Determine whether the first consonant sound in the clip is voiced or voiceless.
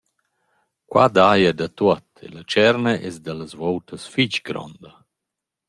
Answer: voiceless